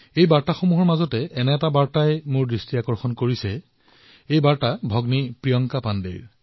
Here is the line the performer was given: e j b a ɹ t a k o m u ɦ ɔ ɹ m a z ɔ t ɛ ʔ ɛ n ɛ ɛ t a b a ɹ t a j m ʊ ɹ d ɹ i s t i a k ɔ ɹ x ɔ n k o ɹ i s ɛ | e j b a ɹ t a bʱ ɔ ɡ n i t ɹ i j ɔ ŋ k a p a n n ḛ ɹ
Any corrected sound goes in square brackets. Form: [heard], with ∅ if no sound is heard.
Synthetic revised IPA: e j b a ɹ t a [x] o m u ɦ ɔ ɹ m a z ɔ t ɛ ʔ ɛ n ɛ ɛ t a b a ɹ t a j m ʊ ɹ d ɹ i s t i a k ɔ ɹ x ɔ n k o ɹ i s ɛ | e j b a ɹ t a bʱ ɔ ɡ n i [p] ɹ i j ɔ ŋ k a p a n [d] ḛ ɹ